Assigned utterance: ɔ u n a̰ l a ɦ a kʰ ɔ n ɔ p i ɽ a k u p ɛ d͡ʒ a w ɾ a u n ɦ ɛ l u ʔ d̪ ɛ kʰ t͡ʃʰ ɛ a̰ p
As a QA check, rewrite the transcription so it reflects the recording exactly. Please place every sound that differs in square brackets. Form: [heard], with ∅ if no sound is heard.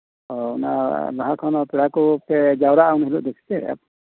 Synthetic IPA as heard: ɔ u n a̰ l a ɦ a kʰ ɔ n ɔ p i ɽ a k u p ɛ d͡ʒ a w ɾ a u n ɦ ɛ l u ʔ d̪ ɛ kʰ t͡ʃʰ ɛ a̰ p

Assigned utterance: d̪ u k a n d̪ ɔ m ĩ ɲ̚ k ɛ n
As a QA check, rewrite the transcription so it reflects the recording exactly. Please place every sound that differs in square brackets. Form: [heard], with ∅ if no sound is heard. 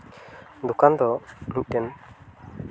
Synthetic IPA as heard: d̪ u k a n d̪ ɔ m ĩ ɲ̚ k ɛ n

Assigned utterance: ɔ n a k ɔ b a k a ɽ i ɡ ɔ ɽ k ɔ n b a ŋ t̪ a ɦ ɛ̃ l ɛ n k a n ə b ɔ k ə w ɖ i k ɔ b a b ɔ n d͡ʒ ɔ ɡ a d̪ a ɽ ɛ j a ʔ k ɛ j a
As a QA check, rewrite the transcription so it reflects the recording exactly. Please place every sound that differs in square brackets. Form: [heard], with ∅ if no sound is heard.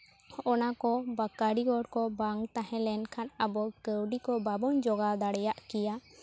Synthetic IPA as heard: ɔ n a k ɔ b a k a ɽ i ɡ ɔ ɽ k ɔ [∅] b a ŋ t̪ a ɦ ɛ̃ l ɛ n [kʰ] a n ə b ɔ k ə w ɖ i k ɔ b a b ɔ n d͡ʒ ɔ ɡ a d̪ a ɽ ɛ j a ʔ k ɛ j a

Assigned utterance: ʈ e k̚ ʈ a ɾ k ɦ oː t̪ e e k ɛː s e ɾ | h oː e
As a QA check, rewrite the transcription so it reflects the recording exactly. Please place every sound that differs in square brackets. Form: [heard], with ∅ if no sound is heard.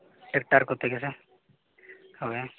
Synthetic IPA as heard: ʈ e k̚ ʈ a ɾ k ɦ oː t̪ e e k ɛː s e [∅] | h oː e

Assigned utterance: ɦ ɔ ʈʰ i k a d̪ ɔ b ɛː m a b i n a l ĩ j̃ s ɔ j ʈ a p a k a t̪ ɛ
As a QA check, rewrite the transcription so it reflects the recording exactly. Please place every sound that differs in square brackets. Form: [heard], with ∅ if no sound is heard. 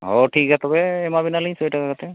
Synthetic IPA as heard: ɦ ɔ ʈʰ i k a [t̪] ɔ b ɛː m a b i n a l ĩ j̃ s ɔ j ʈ a [k] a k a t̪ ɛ

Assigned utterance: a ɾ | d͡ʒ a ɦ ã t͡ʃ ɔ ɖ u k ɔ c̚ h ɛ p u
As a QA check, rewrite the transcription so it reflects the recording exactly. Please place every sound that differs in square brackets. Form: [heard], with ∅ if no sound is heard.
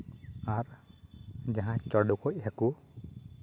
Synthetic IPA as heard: a ɾ | d͡ʒ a ɦ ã t͡ʃ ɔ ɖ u k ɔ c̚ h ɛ [k] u

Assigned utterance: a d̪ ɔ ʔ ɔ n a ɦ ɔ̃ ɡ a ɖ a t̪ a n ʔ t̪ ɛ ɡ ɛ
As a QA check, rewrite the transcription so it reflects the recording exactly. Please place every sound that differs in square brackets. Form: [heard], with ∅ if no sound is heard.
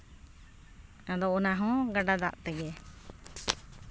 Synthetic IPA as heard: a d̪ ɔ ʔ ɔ n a ɦ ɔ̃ ɡ a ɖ a [d̪] a [∅] ʔ t̪ ɛ ɡ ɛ

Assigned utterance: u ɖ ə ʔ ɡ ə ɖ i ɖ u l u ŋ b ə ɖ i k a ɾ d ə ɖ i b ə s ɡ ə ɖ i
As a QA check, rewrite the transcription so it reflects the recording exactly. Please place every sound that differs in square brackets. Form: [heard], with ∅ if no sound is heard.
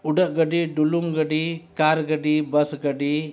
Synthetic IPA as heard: u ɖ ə ʔ ɡ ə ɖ i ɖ u l u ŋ [ɡ] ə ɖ i k a ɾ [ɡ] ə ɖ i b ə s ɡ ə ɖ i

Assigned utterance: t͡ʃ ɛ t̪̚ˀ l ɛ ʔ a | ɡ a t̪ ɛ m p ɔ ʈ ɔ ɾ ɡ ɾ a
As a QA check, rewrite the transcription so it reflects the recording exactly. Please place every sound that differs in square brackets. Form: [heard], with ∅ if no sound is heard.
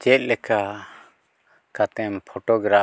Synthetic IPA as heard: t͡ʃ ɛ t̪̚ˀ l ɛ [k] a | [k] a t̪ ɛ m [pʰ] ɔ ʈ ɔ [∅] ɡ ɾ a

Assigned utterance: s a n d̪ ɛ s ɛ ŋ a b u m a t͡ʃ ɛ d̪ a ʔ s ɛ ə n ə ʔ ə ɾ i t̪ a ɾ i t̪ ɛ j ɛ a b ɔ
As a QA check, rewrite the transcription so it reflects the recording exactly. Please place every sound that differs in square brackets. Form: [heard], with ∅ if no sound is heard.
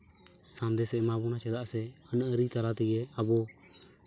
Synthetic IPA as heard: s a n d̪ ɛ s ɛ [m] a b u [n] a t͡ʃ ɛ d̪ a ʔ s ɛ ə n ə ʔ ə ɾ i t̪ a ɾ [a] t̪ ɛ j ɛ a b ɔ

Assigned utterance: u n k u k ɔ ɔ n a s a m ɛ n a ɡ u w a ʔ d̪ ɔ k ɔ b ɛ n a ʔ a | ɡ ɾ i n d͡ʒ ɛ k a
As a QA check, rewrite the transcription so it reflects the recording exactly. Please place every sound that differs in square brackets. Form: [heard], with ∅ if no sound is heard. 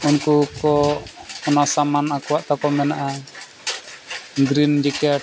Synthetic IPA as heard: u n k u k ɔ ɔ n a s a m [a] n a [k] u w a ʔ [t̪] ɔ k ɔ [m] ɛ n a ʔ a | ɡ ɾ i n d͡ʒ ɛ k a

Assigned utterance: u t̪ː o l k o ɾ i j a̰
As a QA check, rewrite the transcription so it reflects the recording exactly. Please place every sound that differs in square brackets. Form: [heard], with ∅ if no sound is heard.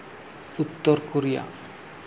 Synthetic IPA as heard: u t̪ː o [ɾ] k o ɾ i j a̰

